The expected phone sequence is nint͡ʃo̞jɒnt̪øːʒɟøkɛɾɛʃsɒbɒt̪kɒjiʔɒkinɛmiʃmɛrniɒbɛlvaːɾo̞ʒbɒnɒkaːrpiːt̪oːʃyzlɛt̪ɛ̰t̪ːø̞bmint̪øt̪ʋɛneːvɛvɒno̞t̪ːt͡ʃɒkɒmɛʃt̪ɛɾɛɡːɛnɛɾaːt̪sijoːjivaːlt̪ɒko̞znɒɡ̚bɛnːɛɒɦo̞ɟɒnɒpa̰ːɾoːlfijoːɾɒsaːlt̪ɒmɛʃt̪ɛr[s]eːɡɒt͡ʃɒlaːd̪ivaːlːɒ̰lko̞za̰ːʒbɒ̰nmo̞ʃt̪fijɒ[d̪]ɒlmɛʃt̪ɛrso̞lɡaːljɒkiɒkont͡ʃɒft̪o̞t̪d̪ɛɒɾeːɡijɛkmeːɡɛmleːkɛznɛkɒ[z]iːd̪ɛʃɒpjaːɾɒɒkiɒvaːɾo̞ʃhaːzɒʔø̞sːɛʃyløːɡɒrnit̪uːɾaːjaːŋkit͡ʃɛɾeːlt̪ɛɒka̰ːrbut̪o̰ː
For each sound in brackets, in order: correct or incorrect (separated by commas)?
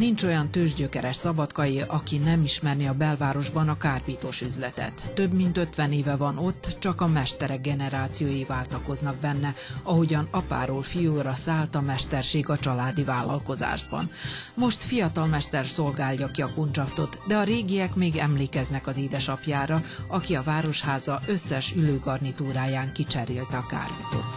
incorrect, incorrect, correct